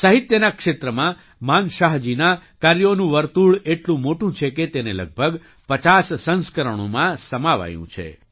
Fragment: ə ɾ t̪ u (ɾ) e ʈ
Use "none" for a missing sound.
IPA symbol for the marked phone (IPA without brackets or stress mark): ɭ